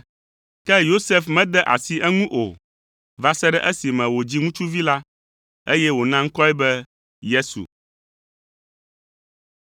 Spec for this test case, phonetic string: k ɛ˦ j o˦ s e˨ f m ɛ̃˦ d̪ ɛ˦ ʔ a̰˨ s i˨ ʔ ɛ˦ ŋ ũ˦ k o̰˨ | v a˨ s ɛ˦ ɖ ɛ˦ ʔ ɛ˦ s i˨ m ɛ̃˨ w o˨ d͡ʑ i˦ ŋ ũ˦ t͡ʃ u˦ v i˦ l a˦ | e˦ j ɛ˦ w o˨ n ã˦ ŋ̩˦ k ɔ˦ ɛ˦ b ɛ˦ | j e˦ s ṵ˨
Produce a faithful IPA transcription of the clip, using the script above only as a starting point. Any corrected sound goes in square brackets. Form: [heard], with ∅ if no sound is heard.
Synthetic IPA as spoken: k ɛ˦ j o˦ s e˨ f m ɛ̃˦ d̪ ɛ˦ ʔ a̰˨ s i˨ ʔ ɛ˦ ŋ ũ˦ [ʔ] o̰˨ | v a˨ s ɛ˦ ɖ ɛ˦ ʔ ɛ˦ s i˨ m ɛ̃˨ w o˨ d͡ʑ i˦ ŋ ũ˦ t͡ʃ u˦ v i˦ l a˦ | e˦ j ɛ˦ w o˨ n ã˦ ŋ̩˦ k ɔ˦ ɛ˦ b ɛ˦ | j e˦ s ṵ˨

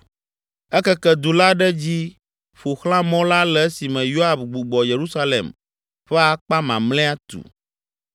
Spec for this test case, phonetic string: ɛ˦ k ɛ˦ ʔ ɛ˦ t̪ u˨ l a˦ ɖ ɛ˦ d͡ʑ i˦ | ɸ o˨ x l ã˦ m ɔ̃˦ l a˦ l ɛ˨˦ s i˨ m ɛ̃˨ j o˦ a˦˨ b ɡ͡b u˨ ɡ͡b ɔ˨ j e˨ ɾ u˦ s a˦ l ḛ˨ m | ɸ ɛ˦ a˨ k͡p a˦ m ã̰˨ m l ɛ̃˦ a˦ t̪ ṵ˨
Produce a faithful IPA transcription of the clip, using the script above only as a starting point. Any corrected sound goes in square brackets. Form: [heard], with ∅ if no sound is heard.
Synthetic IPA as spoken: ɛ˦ k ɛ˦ [k] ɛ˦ [d̪] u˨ l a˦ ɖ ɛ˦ d͡ʑ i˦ | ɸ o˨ x l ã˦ m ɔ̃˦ l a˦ l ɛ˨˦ s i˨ m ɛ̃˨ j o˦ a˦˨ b ɡ͡b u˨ ɡ͡b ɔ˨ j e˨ ɾ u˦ s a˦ l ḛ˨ m | ɸ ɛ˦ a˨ k͡p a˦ m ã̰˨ m l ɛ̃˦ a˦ t̪ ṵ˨

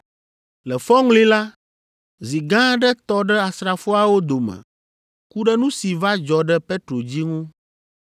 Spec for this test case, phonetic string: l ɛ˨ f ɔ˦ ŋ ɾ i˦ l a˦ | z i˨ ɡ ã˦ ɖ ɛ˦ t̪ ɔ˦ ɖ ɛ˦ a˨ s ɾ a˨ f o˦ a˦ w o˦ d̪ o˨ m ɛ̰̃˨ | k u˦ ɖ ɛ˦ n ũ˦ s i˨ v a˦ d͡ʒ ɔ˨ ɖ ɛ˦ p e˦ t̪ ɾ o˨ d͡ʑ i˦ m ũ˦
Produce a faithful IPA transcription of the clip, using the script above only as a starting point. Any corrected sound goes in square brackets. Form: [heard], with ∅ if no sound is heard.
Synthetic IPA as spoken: l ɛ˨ f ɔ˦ ŋ [l] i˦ l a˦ | z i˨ ɡ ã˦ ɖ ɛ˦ t̪ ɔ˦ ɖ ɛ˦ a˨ s ɾ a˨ f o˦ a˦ w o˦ d̪ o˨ m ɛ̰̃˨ | k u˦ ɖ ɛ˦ n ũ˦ s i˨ v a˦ d͡ʒ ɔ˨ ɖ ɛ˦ p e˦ t̪ ɾ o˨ d͡ʑ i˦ [ŋ] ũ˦

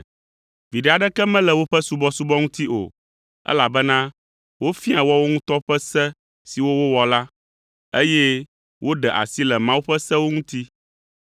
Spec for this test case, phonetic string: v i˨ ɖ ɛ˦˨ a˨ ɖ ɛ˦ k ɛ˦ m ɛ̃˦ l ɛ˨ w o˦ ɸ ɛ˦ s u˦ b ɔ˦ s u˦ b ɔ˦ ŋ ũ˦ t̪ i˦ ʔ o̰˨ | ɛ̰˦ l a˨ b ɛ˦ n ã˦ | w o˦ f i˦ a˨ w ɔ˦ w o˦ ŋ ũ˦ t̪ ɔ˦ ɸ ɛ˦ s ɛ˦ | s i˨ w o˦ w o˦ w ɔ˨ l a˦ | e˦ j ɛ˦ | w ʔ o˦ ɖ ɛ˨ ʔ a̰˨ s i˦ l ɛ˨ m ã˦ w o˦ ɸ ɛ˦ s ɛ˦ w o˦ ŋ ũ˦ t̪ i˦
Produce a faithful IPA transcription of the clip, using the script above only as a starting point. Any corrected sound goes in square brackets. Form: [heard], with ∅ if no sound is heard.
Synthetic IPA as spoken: v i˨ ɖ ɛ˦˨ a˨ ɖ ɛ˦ k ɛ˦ m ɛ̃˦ l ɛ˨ w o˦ ɸ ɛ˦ s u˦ b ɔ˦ s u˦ b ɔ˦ ŋ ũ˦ t̪ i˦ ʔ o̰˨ | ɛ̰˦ l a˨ b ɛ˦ n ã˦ | w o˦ f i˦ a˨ w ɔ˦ w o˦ ŋ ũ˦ t̪ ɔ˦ ɸ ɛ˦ s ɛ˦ | s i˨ w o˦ w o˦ w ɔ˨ l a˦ | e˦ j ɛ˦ | w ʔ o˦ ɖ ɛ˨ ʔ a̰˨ s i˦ l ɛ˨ m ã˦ w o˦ ɸ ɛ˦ s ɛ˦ w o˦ ŋ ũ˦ t̪ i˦

